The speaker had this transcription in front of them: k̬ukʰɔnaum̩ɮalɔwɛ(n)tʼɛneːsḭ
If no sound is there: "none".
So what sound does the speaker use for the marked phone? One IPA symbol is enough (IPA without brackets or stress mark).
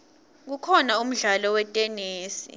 none